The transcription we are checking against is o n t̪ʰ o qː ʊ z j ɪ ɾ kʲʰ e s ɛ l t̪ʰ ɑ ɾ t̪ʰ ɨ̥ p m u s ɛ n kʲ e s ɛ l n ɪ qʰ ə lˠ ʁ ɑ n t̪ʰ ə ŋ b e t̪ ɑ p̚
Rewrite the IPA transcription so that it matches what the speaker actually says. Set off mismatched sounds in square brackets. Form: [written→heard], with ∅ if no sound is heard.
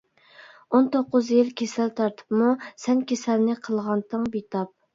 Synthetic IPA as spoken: o n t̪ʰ o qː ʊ z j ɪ [ɾ→l] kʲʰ e s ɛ l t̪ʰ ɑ ɾ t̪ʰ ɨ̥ p m u s ɛ n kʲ e s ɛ l n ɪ qʰ ə lˠ ʁ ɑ n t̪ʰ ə ŋ b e t̪ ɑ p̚